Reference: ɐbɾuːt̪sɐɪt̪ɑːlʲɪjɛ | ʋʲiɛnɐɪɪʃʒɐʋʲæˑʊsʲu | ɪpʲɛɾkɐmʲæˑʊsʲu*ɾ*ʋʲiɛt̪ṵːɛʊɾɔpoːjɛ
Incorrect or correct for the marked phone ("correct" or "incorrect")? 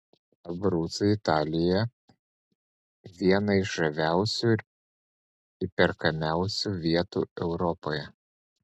incorrect